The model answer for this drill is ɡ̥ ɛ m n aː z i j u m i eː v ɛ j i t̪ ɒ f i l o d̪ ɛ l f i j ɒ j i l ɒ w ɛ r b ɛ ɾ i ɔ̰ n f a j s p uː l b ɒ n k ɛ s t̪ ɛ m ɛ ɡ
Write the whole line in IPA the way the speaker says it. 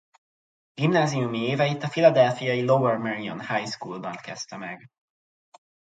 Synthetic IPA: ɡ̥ i m n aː z i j u m i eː v ɛ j i t̪ ɒ f i l ɒ d̪ ɛ l f i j ɒ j i l o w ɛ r m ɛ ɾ i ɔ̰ n h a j s k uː l b ɒ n k ɛ s t̪ ɛ m ɛ ɡ